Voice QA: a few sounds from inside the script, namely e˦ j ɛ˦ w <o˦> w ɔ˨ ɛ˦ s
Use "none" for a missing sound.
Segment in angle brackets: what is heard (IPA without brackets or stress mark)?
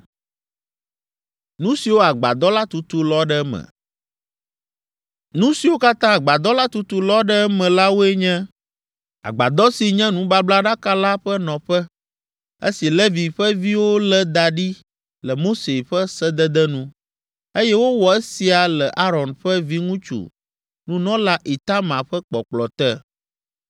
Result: o˦